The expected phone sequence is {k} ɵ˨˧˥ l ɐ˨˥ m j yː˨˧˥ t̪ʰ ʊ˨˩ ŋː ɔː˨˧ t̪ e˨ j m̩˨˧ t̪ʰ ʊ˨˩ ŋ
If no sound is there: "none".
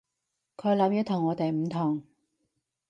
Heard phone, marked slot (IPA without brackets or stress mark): kʰ